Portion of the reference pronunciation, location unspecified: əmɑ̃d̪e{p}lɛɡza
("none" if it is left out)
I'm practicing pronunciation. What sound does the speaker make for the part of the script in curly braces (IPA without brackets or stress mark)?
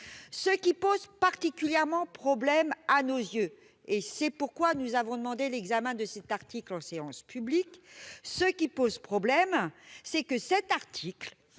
none